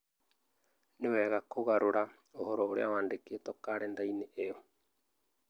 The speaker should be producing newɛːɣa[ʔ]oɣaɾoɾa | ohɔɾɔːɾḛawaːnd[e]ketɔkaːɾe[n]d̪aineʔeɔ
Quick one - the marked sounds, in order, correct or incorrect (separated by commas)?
incorrect, correct, correct